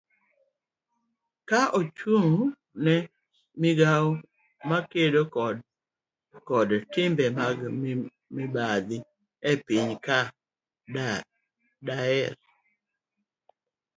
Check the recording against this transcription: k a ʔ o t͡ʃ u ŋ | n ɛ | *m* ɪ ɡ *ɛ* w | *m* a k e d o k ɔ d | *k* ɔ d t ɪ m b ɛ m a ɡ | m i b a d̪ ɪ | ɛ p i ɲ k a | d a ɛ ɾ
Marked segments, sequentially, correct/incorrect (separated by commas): correct, incorrect, correct, correct